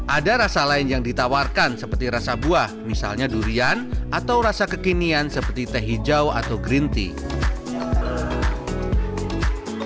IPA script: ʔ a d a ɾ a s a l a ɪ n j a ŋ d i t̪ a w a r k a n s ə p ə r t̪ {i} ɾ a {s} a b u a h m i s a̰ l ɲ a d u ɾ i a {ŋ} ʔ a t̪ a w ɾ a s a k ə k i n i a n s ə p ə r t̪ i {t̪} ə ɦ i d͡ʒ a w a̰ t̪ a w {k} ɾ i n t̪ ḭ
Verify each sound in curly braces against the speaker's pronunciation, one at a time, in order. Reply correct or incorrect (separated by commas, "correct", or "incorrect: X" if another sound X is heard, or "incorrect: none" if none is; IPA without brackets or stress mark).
correct, correct, incorrect: n, correct, incorrect: ɡ